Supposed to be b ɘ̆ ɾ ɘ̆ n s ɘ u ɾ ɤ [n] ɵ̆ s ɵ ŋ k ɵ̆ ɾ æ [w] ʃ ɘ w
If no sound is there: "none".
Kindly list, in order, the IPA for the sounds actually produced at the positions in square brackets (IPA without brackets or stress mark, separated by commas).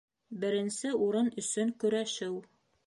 n, none